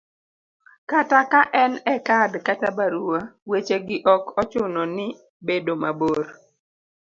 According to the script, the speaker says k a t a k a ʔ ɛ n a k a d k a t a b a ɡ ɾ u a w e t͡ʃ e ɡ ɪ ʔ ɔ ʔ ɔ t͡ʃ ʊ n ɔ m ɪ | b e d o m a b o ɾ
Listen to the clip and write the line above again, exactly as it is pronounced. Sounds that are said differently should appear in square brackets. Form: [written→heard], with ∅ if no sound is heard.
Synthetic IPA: k a t a k a ʔ ɛ n [a→ɛ] k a d k a t a b a [ɡ→∅] ɾ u a w e t͡ʃ e ɡ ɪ ʔ ɔ [ʔ→k] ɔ t͡ʃ ʊ n ɔ [m→n] ɪ | b e d o m a b o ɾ